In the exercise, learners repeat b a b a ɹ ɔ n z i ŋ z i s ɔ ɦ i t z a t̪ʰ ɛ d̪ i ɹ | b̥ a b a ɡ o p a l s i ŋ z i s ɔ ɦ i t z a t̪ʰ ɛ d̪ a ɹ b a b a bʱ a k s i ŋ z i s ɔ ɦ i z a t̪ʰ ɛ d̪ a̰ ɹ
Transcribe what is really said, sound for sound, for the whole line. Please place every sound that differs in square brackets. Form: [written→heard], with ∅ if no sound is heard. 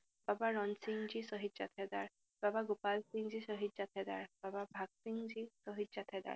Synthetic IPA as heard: b a b a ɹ ɔ n [z→s] i ŋ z i s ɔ ɦ i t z a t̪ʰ ɛ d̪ [i→a] ɹ | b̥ a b a ɡ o p a l s i ŋ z i s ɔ ɦ i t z a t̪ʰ ɛ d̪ a ɹ b a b a bʱ a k s i ŋ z i s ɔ ɦ i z a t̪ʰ ɛ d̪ a̰ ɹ

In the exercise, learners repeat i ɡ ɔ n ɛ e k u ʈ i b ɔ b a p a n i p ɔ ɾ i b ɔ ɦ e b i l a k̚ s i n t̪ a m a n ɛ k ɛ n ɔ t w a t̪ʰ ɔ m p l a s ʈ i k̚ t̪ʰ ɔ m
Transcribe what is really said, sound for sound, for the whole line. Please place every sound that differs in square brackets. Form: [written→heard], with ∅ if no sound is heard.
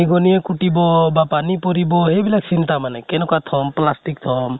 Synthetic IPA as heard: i ɡ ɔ n [ɛ→i] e k u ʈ i b ɔ b a p a n i p ɔ ɾ i b ɔ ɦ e b i l a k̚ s i n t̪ a m a n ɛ k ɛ n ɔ [t→k] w a t̪ʰ ɔ m p l a s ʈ i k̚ t̪ʰ ɔ m

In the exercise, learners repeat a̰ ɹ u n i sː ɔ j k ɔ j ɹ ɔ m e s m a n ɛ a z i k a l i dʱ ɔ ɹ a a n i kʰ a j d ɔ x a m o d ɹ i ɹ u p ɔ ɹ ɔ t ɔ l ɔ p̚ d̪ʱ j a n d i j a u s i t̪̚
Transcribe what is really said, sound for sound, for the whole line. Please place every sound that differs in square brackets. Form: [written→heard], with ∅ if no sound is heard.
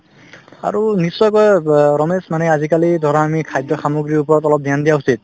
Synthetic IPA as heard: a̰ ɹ u n i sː ɔ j k ɔ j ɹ ɔ m e s m a n ɛ a z i k a l i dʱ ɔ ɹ a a [n→m] i kʰ a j d ɔ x a m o [d→ɡ] ɹ i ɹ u p ɔ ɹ ɔ t ɔ l ɔ p̚ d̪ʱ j a n d i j a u s i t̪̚

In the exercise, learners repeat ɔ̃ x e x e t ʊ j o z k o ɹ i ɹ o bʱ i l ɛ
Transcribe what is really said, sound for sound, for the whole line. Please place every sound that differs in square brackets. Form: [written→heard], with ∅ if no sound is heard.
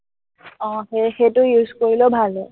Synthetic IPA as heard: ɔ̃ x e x e t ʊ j [o→u] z k o ɹ i [ɹ→l] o bʱ [i→a] l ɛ

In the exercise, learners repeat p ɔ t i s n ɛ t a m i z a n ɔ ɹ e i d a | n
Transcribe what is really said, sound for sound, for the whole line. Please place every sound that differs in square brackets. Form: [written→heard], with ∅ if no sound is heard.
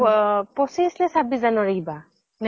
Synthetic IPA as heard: p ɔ [t→s] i s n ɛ [t→s] a [m→b] i z a n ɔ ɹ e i [d→b] a | n

